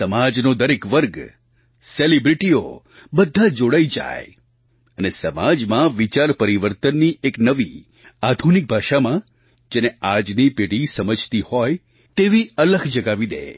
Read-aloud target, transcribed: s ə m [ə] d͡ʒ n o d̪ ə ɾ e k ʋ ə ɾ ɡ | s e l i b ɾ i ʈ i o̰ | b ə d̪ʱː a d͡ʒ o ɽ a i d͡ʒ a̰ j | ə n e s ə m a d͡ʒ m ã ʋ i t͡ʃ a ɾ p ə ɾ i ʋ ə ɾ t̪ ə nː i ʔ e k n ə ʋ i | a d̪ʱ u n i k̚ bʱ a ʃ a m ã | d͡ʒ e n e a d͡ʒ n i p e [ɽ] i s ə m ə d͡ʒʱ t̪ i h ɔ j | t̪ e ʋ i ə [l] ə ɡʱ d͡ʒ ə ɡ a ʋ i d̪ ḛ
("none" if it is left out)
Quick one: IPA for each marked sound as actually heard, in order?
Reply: a, ɽ, l

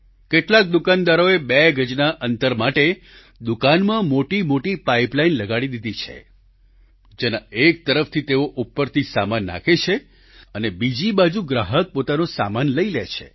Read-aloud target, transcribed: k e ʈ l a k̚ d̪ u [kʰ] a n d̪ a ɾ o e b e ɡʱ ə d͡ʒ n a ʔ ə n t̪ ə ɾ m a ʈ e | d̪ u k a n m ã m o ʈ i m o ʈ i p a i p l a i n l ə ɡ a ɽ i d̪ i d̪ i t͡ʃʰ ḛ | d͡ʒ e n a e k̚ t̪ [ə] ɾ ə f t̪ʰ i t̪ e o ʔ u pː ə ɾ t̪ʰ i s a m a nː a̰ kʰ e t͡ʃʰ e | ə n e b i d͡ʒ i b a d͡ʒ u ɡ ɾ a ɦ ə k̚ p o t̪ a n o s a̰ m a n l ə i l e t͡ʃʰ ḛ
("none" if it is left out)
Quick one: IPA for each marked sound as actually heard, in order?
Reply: k, ə

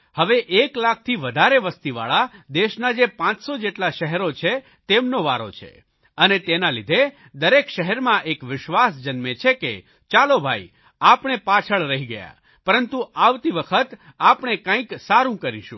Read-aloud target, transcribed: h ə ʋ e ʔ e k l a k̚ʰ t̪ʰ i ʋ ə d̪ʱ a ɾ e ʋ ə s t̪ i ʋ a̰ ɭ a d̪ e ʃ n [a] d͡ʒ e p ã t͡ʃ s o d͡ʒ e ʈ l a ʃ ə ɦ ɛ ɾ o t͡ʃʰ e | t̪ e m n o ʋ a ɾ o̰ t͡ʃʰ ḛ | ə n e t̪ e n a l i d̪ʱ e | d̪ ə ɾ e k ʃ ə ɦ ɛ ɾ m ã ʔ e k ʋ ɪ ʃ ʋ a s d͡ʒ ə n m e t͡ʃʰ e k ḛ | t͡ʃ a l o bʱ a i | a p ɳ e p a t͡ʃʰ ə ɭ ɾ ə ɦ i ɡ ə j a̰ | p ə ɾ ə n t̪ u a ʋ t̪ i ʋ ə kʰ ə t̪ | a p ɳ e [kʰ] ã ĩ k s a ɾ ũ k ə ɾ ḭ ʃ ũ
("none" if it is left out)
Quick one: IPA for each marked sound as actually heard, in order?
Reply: a, k

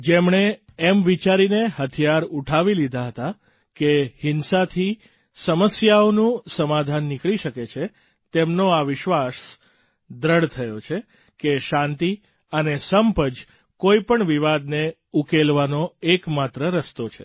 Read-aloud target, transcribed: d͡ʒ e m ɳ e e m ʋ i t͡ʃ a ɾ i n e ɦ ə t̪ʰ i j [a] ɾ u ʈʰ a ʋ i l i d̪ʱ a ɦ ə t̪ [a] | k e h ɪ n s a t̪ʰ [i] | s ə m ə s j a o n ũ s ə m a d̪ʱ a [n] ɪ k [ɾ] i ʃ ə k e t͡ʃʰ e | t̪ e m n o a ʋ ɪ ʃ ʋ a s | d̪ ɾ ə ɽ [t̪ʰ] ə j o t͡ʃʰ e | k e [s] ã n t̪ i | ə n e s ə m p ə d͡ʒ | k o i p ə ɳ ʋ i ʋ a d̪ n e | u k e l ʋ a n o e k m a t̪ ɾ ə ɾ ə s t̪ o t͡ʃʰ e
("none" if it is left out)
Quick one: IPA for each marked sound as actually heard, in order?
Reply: a, a, i, nː, ɭ, t̪ʰ, ʃ

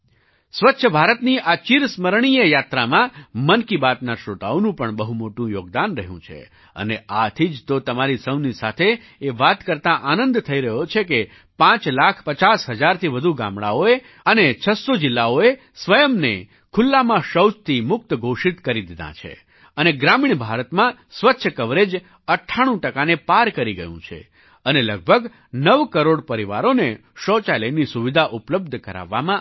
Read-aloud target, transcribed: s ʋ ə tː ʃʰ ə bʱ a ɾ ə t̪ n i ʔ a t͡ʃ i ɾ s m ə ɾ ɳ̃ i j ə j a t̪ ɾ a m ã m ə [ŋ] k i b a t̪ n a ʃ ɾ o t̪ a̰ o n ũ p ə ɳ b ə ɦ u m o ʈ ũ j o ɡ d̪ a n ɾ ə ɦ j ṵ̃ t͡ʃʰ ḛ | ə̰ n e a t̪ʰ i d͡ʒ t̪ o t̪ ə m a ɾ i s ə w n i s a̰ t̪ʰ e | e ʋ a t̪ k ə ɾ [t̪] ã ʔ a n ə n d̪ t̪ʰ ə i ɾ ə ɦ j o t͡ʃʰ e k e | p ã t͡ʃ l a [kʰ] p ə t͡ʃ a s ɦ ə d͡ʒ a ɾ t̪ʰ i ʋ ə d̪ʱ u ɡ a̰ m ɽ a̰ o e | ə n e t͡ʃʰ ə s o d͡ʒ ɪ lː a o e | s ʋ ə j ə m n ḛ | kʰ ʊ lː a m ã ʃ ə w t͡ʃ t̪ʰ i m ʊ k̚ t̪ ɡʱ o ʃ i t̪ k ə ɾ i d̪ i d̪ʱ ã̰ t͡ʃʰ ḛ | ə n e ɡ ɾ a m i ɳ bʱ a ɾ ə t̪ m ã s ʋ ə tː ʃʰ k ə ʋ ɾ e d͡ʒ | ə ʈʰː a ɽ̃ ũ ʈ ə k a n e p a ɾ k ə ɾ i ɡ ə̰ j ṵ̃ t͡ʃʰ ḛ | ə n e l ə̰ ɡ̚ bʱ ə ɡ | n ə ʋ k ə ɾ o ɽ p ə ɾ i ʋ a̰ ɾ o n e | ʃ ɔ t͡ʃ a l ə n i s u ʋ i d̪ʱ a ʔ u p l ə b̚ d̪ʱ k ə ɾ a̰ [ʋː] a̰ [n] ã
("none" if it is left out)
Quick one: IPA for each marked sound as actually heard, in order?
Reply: n, t̪, kʰ, ʋː, m

